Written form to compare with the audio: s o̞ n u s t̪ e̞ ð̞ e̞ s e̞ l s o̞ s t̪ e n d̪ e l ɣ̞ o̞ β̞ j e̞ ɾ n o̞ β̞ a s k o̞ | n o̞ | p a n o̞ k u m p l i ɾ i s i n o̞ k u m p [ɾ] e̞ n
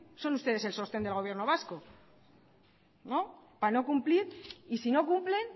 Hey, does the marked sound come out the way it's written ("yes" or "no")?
no